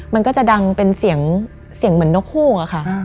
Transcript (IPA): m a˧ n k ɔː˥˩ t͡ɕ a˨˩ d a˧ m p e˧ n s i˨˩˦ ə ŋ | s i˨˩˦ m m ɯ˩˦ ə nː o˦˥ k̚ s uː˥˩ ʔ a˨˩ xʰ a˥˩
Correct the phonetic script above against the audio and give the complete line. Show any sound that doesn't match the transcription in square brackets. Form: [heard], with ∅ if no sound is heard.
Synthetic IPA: m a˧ n k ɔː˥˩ t͡ɕ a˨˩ d a˧ [ŋ] p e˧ n s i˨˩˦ ə ŋ | s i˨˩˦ [ŋ] m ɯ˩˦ ə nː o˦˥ k̚ [h] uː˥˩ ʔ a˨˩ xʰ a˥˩